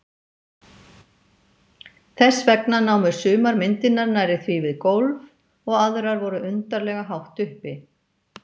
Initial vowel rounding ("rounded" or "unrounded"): unrounded